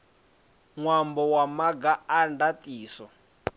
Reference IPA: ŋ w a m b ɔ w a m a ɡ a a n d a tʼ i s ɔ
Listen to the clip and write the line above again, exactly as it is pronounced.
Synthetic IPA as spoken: ŋ w a m b ɔ w a m a ɡ a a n d a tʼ iː s ɔ